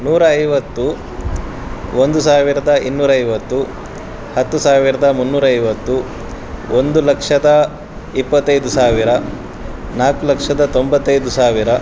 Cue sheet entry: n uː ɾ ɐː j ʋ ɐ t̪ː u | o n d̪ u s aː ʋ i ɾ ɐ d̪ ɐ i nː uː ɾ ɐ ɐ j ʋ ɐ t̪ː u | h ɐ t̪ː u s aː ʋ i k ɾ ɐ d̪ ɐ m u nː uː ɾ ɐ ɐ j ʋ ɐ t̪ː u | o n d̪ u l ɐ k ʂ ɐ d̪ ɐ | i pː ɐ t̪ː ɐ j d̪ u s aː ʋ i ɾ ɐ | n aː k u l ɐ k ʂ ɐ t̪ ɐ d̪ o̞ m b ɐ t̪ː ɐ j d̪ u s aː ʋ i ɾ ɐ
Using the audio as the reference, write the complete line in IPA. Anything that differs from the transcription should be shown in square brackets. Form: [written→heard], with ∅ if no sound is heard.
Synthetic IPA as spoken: n uː ɾ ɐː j ʋ ɐ t̪ː u | o n d̪ u s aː ʋ i ɾ ɐ d̪ ɐ i nː uː ɾ ɐ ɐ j ʋ ɐ t̪ː u | h ɐ t̪ː u s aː ʋ i [k→∅] ɾ ɐ d̪ ɐ m u nː uː ɾ ɐ ɐ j ʋ ɐ t̪ː u | o n d̪ u l ɐ k ʂ ɐ d̪ ɐ | i pː ɐ t̪ː ɐ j d̪ u s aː ʋ i ɾ ɐ | n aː k u l ɐ k ʂ ɐ [t̪→d̪] ɐ [d̪→t̪] o̞ m b ɐ t̪ː ɐ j d̪ u s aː ʋ i ɾ ɐ